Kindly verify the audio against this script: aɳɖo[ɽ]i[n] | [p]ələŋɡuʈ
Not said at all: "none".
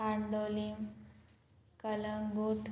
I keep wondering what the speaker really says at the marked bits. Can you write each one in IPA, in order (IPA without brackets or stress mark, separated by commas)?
l, m, k